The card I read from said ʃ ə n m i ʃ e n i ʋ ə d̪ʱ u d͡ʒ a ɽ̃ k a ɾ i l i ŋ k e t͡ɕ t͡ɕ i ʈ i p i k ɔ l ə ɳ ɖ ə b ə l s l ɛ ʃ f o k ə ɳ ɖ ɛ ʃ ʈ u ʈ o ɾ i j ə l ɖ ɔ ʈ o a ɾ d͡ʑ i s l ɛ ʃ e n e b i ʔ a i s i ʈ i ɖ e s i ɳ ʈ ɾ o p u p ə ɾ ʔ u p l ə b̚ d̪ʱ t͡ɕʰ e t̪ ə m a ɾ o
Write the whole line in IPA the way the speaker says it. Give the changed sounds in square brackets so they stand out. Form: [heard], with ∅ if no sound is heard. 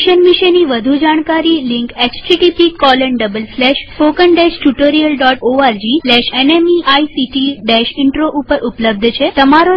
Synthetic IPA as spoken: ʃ ə n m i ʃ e n i ʋ ə d̪ʱ u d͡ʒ a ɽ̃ k a ɾ i l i ŋ k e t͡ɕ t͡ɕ i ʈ i p i k ɔ l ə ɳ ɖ ə b ə l s l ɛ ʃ f o k ə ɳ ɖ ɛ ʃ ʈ u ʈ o ɾ i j ə l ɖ ɔ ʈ o a ɾ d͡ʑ i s l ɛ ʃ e n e [m] i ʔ a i s i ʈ i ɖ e [ʃ] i ɳ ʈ ɾ o [ʔ] u p ə ɾ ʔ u p l ə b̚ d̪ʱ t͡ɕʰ e t̪ ə m a ɾ o